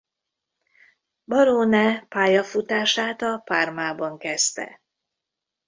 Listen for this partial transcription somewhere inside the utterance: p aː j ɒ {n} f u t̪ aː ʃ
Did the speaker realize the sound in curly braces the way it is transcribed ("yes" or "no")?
no